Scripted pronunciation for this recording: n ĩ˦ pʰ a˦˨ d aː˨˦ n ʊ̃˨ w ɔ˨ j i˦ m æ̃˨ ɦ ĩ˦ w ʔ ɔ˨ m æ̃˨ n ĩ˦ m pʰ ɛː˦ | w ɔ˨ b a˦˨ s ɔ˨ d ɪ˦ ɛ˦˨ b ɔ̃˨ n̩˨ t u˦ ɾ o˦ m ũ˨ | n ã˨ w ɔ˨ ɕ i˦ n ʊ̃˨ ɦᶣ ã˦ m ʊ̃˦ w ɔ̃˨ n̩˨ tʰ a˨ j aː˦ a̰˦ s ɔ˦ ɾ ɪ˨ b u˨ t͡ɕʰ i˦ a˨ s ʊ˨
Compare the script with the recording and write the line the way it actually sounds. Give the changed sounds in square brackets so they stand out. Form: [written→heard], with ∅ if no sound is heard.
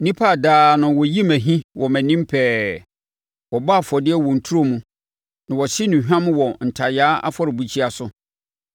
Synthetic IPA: n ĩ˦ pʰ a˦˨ d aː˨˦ n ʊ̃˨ w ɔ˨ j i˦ m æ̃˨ ɦ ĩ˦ w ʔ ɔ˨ m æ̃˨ n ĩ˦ m pʰ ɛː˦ | w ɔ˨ b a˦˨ [s→f] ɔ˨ d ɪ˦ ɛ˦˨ [b→w] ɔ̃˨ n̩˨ [t→tʰ] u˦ ɾ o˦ m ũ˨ | n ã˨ w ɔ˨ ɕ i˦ n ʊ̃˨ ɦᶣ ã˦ m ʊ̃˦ w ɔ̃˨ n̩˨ tʰ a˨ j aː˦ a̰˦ [s→f] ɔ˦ ɾ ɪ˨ b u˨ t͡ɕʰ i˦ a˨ s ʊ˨